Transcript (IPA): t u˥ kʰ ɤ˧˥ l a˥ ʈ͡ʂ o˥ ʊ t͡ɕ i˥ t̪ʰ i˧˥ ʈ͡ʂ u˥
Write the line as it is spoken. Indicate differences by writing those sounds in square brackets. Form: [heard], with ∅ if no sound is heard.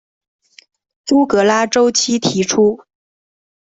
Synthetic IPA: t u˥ [k] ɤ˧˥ l a˥ ʈ͡ʂ o˥ ʊ [t͡ɕʰ] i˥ t̪ʰ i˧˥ [ʈ͡ʂʰ] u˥